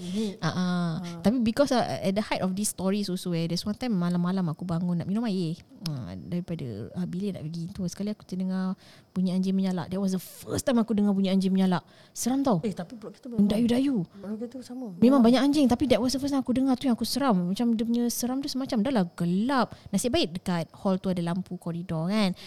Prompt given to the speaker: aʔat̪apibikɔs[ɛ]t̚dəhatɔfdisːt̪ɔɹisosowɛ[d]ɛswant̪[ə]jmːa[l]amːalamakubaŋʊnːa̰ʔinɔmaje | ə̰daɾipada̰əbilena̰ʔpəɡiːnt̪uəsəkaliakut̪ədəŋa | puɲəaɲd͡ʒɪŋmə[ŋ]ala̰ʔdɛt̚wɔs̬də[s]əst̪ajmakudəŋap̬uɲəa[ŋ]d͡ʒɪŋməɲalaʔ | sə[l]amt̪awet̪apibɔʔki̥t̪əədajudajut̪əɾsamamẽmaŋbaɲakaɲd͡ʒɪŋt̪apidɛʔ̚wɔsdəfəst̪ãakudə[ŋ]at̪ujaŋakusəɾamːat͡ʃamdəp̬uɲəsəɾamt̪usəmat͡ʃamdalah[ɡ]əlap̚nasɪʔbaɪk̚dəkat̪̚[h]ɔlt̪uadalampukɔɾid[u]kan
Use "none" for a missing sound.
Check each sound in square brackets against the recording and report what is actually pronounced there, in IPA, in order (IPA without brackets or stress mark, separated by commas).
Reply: ɛ, d, a, l, ɲ, f, ɲ, ɾ, ŋ, ɡ, h, ɔ